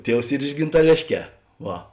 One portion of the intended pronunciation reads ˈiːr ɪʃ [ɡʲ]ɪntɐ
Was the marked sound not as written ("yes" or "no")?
no